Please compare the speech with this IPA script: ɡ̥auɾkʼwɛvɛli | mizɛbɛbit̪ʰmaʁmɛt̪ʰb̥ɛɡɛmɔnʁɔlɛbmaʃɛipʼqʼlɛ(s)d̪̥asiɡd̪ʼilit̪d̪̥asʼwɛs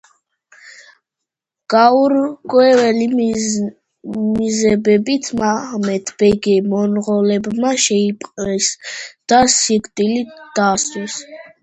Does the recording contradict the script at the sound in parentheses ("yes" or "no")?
no